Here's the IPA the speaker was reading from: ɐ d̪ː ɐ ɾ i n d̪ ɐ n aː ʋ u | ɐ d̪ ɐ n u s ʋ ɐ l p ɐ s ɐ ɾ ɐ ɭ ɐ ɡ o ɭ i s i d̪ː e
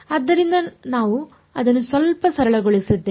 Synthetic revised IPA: ɐ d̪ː ɐ ɾ i n d̪ ɐ n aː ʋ u | ɐ d̪ ɐ nː u s ʋ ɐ l p ɐ s ɐ ɾ ɐ ɭ ɐ ɡ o ɭ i s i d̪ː e